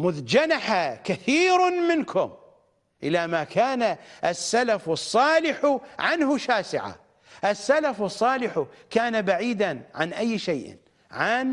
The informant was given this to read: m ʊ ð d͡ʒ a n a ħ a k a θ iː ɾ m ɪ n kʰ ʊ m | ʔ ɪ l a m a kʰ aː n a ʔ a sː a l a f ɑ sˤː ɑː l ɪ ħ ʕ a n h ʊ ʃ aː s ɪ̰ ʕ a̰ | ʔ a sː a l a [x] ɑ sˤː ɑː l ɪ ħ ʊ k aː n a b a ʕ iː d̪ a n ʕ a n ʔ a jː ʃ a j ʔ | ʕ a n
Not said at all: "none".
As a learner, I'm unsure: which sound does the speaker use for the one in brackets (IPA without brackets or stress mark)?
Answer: f